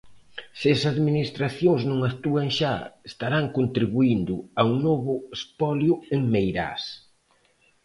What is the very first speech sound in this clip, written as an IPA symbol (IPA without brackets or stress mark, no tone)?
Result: s